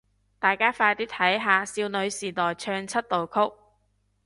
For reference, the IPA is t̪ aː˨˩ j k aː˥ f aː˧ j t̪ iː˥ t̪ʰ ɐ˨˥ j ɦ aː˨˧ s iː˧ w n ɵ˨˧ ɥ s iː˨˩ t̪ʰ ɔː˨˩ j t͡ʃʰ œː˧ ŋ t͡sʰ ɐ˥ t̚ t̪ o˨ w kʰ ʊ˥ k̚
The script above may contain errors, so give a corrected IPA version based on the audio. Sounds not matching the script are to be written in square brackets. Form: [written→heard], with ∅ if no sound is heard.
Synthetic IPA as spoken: t̪ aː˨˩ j k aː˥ f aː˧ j t̪ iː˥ t̪ʰ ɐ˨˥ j ɦ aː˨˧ s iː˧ w n ɵ˨˧ ɥ s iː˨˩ [t̪ʰ→t̪] ɔː˨˩ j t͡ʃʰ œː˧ ŋ t͡sʰ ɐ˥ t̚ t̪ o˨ w kʰ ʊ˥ k̚